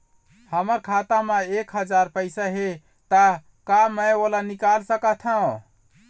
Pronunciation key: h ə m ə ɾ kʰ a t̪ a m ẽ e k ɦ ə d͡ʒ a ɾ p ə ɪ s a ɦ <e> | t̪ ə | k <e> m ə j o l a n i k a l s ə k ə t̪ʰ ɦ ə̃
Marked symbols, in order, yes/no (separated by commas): yes, no